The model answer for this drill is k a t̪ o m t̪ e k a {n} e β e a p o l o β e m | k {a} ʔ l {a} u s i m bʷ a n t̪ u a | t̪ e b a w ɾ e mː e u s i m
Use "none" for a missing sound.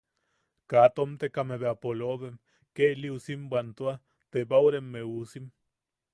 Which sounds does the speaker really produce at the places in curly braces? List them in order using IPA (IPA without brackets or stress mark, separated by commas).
m, e, i